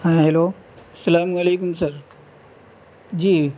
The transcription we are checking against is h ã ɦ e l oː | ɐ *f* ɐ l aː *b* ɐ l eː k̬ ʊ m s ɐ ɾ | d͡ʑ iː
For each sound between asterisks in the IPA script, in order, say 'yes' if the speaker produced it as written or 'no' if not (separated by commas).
no, no